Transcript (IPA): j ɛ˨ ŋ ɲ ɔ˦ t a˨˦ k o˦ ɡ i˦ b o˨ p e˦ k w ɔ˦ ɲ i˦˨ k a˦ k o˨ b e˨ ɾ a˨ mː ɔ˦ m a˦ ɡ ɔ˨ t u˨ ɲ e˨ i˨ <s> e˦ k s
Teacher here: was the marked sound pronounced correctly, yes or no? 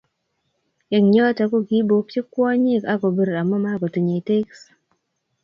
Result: no